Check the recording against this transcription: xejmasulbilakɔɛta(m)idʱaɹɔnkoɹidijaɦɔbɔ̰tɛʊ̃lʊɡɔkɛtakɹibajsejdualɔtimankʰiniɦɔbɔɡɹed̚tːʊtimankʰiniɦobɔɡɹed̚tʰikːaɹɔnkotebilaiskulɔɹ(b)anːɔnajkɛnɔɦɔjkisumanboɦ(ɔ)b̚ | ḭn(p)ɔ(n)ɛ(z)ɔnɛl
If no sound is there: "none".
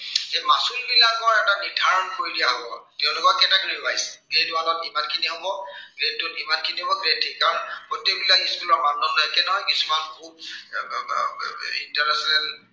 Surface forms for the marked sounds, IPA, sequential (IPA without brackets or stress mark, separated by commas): n, m, u, t, n, s